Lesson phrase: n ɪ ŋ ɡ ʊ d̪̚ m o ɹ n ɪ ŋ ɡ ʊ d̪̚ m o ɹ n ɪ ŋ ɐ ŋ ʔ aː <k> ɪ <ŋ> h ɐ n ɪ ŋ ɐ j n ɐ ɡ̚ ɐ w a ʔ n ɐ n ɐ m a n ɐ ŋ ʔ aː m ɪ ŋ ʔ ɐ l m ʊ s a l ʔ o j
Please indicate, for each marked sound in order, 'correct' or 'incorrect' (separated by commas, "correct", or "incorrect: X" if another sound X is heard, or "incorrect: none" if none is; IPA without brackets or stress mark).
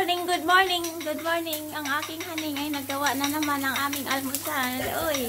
correct, correct